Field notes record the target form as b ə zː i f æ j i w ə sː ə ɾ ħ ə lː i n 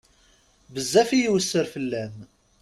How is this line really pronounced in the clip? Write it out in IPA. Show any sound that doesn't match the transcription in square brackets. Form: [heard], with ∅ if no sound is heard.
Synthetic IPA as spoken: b ə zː [æ] f [i] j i w ə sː ə ɾ [f] ə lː [æ] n